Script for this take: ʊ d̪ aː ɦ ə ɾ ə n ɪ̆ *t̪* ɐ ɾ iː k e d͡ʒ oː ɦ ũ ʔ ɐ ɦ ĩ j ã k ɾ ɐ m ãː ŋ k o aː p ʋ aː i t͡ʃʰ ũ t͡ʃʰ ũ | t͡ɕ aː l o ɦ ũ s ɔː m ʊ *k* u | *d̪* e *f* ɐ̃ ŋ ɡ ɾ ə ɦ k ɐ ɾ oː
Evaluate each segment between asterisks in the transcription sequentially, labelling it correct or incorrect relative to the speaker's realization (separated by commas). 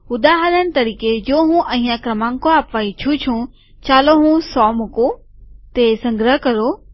correct, correct, incorrect, incorrect